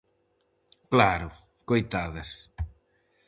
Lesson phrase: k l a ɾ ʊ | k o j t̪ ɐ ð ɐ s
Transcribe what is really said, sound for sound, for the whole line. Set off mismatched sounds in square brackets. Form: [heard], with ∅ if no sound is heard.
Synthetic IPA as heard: k l a ɾ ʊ | k o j t̪ [a] ð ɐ s